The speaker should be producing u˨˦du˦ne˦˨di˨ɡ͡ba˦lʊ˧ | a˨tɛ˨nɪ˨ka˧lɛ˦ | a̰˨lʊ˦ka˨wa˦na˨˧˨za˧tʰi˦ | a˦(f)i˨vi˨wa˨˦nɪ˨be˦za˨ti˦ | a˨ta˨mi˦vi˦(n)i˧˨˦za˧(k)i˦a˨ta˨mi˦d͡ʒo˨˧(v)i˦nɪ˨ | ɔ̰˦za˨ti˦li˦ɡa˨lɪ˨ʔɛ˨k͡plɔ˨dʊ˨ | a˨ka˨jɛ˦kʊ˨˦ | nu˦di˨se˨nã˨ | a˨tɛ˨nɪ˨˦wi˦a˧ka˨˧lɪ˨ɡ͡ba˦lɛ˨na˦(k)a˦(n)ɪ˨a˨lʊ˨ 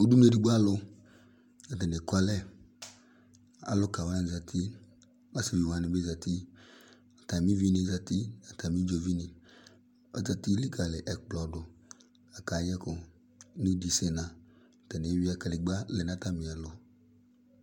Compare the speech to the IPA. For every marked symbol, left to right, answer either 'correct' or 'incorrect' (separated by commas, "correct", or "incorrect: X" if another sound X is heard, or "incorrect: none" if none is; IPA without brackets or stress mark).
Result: incorrect: s, correct, incorrect: t, correct, incorrect: t, incorrect: m